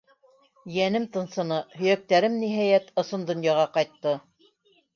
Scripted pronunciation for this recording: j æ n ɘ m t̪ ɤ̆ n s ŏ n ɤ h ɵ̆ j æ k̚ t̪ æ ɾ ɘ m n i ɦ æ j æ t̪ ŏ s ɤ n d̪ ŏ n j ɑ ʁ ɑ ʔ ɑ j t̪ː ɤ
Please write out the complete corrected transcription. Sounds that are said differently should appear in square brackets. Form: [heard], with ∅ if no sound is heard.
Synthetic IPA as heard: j æ n ɘ m t̪ ɤ̆ n s [ɤ̆] n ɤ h ɵ̆ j æ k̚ t̪ æ ɾ ɘ m n i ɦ æ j æ t̪ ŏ s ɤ n d̪ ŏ n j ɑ ʁ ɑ [q] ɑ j t̪ː ɤ